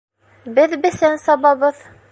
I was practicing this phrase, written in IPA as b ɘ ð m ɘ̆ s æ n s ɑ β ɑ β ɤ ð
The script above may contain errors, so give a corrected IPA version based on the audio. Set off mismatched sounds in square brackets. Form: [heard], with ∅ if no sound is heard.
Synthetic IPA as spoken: b ɘ ð [b] ɘ̆ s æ n s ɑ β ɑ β ɤ ð